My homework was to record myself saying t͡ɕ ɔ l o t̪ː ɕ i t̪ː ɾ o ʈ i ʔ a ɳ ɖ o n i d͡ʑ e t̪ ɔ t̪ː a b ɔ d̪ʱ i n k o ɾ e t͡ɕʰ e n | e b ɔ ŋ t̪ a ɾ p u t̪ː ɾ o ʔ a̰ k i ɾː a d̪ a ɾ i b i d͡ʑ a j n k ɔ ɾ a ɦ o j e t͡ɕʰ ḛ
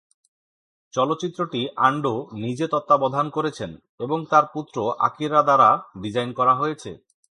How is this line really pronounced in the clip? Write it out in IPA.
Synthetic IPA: t͡ɕ ɔ l o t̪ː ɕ i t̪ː ɾ o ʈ i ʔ a ɳ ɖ o n i d͡ʑ e t̪ ɔ t̪ː a b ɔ d̪ʱ a n k o ɾ e t͡ɕʰ e n | e b o ŋ t̪ a ɾ p u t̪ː ɾ o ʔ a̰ k i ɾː a d̪ a ɾ a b i d͡ʑ a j n k ɔ ɾ a ɦ o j e t͡ɕʰ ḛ

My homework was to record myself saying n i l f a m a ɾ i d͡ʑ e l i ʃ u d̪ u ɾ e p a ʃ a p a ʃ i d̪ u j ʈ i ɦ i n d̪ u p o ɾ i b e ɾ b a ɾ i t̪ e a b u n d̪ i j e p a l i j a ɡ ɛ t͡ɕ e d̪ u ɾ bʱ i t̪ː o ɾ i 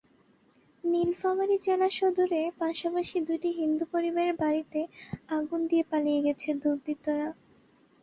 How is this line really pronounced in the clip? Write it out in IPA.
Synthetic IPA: n i l f a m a ɾ i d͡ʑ e l a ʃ o d̪ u ɾ e p a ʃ a p a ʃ i d̪ u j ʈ i ɦ i n d̪ u p o ɾ i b e ɾ b a ɾ i t̪ e a ɡ u n d̪ i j e p a l i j e ɡ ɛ t͡ɕʰ e d̪ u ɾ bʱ i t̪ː o ɾ a

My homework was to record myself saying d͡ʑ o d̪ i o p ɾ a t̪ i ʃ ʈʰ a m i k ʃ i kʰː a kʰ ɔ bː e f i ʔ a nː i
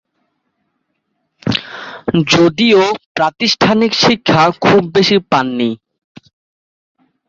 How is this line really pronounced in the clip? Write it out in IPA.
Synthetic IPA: d͡ʑ o d̪ i o p ɾ a t̪ i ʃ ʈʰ a n i k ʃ i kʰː a kʰ u bː e ʃ i p a nː i

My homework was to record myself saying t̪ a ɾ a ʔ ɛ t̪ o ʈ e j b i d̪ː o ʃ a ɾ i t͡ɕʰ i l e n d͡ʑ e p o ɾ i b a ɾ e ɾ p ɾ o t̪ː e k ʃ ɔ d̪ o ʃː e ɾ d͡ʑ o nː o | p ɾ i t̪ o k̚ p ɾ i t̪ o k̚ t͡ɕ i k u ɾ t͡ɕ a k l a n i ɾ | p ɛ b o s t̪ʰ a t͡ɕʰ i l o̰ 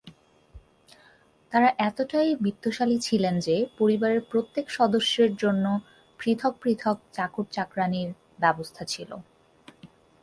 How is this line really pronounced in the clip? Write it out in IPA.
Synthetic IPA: t̪ a ɾ a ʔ ɛ t̪ o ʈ a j b i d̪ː o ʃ a l i t͡ɕʰ i l e n d͡ʑ e p o ɾ i b a ɾ e ɾ p ɾ o t̪ː e k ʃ ɔ d̪ o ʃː e ɾ d͡ʑ o nː o | p ɾ i t̪ʰ o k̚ p ɾ i t̪ʰ o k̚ t͡ɕ a k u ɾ t͡ɕ a k ɾ a n i ɾ | b ɛ b o s t̪ʰ a t͡ɕʰ i l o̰

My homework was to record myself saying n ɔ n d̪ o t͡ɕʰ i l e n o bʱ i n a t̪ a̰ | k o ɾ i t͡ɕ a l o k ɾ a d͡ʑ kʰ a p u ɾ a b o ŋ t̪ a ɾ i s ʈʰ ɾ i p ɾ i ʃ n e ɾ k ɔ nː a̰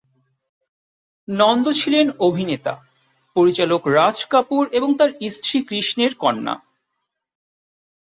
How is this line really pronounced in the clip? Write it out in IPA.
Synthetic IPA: n ɔ n d̪ o t͡ɕʰ i l e n o bʱ i n e t̪ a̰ | p o ɾ i t͡ɕ a l o k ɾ a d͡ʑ k a p u ɾ e b o ŋ t̪ a ɾ i s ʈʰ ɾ i k ɾ i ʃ n e ɾ k ɔ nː a̰

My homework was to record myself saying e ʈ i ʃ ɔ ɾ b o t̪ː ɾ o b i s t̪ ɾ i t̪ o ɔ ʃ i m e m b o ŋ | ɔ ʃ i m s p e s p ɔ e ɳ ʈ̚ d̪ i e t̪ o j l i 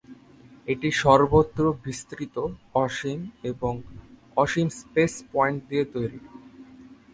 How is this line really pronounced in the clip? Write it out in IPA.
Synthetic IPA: e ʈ i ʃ ɔ ɾ b o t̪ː ɾ o b i s t̪ ɾ i t̪ o ɔ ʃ i m e b o ŋ | ɔ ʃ i m s p e s p ɔ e ɳ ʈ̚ d̪ i e t̪ o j ɾ i

